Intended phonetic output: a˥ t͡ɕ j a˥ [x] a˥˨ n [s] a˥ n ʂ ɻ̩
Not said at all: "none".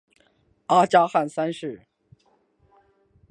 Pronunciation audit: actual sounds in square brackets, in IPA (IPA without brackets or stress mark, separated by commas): x, s